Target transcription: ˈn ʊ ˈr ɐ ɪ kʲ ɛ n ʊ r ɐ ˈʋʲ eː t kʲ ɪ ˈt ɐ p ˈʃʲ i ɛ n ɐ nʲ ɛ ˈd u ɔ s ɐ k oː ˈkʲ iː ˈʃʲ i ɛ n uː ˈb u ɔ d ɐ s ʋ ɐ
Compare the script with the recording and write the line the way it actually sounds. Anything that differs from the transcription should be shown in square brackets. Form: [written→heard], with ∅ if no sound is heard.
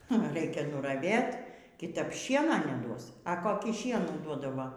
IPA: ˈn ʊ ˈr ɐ ɪ kʲ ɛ n ʊ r ɐ ˈʋʲ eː t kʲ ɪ ˈt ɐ p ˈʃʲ i ɛ n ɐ nʲ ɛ ˈd u ɔ s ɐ k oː ˈkʲ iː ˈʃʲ i ɛ n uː [ˈb→ˈd] u ɔ d ɐ [s→∅] ʋ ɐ